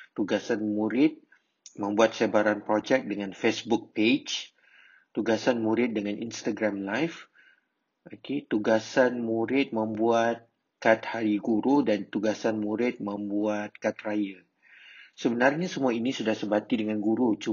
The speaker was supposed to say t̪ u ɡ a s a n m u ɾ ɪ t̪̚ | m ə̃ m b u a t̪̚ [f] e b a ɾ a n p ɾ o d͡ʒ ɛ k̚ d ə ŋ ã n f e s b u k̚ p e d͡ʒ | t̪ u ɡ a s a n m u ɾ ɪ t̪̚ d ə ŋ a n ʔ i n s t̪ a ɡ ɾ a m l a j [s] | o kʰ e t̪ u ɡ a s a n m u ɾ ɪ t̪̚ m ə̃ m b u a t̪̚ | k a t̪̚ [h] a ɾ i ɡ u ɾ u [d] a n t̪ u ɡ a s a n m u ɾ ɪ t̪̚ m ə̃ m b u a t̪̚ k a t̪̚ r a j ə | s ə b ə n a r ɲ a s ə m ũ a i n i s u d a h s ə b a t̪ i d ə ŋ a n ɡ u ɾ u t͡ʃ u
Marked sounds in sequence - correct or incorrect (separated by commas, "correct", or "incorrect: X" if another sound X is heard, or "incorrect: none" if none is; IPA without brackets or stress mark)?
incorrect: s, incorrect: f, correct, correct